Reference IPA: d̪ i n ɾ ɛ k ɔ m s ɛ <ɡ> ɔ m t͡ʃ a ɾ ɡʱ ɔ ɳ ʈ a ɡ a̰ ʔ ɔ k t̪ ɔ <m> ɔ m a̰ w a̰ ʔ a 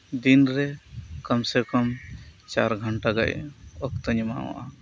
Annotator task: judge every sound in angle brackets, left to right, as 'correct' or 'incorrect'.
incorrect, incorrect

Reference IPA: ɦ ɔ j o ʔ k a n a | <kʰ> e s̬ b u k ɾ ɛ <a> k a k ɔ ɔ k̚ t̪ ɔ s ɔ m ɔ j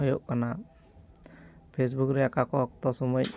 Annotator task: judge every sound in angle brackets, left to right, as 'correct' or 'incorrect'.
incorrect, correct

